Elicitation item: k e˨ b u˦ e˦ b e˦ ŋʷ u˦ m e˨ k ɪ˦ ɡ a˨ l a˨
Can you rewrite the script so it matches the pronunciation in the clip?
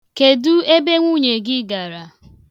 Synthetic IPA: k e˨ d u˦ e˦ b e˦ ŋʷ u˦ ɲ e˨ ɡ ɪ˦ ɡ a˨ ɾ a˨